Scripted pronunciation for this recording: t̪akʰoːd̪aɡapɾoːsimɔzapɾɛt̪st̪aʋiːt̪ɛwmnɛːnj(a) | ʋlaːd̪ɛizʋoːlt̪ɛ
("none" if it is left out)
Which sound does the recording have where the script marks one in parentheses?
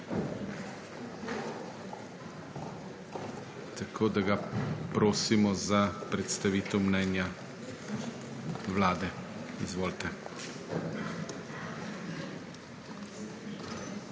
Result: a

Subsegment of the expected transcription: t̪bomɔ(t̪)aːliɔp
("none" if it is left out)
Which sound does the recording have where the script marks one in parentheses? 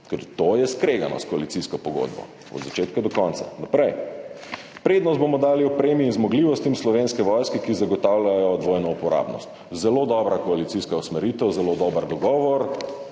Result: d̪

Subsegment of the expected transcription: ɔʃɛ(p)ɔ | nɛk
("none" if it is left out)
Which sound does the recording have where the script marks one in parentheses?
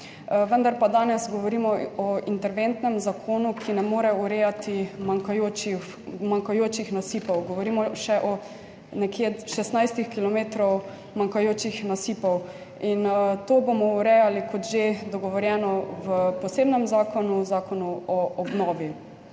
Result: ʔ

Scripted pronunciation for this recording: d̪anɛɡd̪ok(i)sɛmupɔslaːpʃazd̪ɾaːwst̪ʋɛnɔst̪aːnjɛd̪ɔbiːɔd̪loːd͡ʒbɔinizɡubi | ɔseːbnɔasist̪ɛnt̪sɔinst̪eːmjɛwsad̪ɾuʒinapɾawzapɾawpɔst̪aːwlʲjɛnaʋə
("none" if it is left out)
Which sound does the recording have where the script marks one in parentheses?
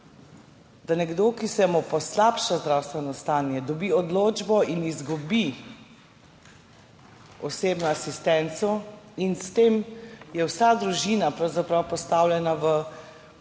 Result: i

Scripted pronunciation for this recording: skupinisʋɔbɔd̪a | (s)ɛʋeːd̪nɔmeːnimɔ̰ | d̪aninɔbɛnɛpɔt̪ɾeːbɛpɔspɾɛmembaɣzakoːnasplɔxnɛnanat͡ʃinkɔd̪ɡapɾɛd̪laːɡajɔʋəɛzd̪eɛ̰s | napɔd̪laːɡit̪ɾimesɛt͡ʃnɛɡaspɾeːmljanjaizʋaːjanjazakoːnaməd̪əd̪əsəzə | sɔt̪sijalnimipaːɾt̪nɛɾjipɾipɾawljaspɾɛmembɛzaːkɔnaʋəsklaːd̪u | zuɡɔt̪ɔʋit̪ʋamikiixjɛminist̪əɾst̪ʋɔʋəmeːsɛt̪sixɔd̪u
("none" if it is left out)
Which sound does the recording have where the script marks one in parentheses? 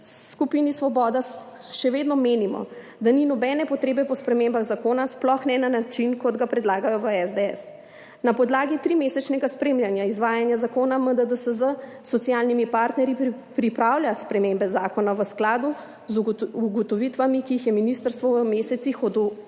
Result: ʃ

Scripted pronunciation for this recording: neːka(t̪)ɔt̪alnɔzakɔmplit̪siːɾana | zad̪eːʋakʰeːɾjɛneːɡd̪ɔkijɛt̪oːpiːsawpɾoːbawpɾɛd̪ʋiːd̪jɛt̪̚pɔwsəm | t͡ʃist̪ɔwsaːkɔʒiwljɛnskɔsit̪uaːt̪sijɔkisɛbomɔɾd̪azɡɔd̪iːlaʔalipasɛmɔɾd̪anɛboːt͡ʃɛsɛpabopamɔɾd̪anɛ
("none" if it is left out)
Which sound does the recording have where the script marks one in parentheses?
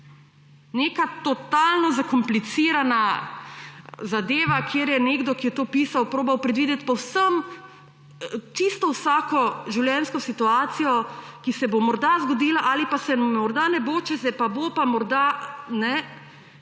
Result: t̪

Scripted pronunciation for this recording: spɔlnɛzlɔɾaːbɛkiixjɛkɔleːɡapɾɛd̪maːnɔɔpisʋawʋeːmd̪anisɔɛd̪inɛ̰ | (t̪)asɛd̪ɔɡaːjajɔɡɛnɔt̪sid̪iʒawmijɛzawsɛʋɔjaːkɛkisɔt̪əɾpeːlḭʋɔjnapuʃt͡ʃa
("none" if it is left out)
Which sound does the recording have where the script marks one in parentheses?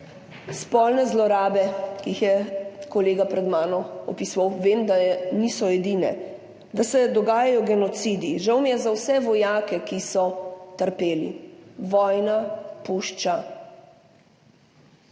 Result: d̪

